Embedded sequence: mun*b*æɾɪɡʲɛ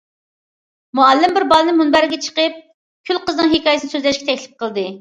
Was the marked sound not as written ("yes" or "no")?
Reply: no